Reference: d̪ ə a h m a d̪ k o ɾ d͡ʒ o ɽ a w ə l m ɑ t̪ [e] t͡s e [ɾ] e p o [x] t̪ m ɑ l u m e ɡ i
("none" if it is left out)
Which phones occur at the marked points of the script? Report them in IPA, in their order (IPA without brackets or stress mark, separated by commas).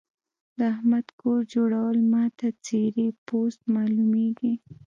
a, ɾ, s